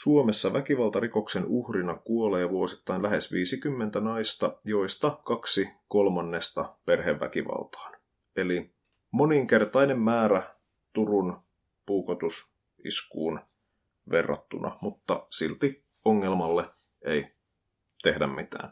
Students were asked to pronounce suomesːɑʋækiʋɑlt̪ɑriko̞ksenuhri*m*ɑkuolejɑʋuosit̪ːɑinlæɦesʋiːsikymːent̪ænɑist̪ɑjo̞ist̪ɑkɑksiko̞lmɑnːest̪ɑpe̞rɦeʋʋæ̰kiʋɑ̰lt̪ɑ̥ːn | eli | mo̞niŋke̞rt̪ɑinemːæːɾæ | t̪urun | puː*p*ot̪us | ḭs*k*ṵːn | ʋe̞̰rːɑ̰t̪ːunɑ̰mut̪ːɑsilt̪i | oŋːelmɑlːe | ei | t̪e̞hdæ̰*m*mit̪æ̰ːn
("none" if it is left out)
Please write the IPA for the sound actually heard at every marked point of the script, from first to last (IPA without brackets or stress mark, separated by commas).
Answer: n, k, k, m